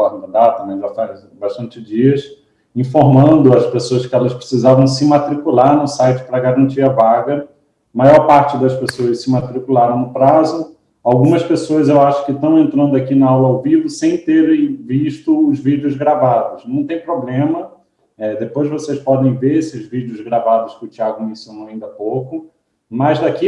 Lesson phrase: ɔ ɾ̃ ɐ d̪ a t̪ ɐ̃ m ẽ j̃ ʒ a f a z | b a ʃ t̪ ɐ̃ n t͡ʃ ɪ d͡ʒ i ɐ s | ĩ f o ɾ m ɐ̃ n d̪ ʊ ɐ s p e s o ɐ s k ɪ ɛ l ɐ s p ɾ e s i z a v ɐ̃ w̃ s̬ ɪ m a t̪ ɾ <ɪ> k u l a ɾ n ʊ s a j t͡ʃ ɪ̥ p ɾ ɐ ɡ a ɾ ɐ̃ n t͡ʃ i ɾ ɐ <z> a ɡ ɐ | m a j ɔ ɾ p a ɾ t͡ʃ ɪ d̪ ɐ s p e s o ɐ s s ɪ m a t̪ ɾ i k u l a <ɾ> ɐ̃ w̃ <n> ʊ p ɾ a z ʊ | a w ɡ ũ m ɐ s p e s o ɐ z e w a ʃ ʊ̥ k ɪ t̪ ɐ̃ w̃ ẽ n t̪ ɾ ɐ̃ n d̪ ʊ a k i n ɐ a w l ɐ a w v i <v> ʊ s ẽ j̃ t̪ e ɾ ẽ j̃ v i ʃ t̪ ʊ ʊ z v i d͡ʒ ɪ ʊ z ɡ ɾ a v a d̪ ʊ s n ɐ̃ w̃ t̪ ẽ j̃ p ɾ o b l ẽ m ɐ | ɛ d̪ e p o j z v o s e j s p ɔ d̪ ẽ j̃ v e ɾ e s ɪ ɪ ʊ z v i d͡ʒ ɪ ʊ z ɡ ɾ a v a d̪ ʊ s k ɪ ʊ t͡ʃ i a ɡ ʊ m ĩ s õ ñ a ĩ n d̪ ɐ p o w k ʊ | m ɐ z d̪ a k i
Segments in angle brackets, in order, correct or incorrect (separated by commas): incorrect, incorrect, correct, correct, correct